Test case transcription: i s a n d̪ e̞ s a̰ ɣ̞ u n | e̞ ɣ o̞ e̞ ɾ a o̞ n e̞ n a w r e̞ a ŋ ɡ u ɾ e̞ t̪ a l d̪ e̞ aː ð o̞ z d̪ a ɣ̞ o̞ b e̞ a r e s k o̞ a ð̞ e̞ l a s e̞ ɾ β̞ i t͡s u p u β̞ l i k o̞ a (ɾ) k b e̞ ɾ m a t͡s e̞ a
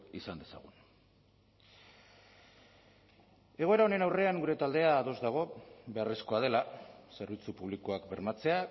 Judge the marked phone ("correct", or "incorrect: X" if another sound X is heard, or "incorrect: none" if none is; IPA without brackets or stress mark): incorrect: none